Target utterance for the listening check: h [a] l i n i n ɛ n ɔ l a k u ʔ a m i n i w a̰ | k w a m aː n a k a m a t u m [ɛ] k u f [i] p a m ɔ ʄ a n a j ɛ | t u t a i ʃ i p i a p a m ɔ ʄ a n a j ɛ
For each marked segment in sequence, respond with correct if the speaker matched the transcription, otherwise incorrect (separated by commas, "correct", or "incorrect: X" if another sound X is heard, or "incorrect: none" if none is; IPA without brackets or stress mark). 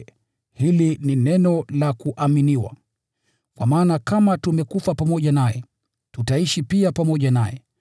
incorrect: i, correct, incorrect: a